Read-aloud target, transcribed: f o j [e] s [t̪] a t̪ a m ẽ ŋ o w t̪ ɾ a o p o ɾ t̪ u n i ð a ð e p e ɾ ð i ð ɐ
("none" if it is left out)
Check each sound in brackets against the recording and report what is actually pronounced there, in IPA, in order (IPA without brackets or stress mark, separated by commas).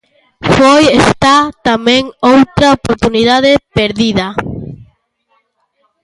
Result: e, t̪